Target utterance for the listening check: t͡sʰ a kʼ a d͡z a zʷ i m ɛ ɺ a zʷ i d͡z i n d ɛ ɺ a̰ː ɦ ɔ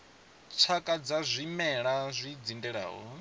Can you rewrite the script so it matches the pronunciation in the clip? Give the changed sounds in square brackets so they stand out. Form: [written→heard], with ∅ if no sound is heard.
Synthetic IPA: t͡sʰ a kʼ a d͡z a zʷ i m ɛ ɺ a zʷ i d͡z i n d ɛ ɺ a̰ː ɦ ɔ